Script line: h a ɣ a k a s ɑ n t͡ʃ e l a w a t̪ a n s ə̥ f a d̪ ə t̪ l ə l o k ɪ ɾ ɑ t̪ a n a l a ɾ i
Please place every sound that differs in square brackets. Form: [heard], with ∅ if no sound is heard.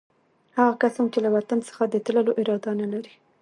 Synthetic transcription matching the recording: h a ɣ a k a s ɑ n t͡ʃ e l a w a t̪ a n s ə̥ [x] a d̪ ə t̪ l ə l o [ʔ] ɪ ɾ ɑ [d̪] a n a l a ɾ i